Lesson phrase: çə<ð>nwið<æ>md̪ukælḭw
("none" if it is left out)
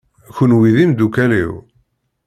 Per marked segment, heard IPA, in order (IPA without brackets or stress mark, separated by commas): none, i